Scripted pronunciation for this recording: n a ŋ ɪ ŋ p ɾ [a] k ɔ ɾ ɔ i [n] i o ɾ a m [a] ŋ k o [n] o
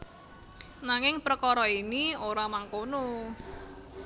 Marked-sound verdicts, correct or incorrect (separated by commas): incorrect, correct, correct, correct